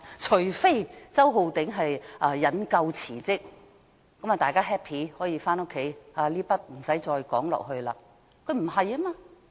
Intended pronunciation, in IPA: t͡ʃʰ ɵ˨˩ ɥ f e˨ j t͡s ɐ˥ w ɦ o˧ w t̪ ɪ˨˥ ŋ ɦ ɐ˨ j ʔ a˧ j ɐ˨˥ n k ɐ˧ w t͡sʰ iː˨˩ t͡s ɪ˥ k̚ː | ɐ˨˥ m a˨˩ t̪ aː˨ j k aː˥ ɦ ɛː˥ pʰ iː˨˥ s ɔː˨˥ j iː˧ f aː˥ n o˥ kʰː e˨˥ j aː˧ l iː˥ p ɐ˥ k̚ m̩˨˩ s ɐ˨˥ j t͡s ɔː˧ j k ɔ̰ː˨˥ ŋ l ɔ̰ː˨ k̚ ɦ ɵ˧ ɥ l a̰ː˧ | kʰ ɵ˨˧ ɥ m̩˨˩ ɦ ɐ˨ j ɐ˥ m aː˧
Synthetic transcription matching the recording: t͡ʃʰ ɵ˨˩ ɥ f e˥ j t͡s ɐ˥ w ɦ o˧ w t̪ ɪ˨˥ ŋ ɦ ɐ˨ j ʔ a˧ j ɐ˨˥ n k ɐ˧ w t͡sʰ iː˨˩ t͡s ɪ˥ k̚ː | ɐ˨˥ m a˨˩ t̪ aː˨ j k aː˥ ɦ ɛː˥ pʰ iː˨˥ h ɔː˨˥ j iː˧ f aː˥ n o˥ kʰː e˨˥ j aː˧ l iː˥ p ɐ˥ t̚ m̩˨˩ s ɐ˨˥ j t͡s ɔː˧ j k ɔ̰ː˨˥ ŋ l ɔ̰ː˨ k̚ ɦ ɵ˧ ɥ l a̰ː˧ | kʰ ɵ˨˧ ɥ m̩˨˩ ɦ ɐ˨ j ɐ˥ m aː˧